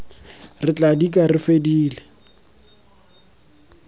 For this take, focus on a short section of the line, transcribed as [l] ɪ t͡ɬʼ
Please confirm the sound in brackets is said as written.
no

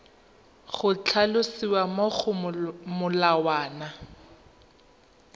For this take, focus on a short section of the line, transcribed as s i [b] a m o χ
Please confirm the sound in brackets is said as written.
no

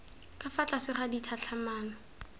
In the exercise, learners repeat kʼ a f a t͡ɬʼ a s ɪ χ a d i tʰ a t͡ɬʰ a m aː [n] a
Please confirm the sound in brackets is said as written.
yes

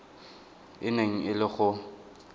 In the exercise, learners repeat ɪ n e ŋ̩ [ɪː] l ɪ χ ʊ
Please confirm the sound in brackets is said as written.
no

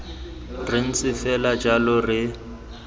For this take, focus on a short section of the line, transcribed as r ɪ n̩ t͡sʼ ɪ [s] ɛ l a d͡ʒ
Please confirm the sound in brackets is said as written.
no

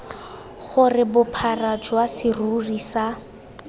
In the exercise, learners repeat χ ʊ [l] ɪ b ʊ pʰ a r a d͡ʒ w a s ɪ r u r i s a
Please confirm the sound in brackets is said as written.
no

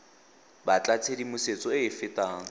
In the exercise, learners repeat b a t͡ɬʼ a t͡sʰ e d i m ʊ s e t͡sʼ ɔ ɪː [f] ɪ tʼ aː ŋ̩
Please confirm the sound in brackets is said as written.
yes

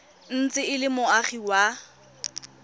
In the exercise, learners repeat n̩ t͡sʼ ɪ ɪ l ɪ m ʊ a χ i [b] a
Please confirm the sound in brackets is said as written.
no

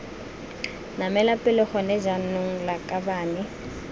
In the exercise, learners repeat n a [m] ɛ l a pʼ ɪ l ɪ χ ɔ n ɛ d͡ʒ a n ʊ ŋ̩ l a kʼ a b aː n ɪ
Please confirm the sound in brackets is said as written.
yes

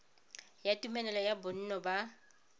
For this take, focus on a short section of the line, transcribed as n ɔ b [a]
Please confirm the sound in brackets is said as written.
yes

